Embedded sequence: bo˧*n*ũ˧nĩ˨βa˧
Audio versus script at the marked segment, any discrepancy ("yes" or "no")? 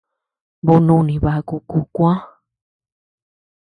no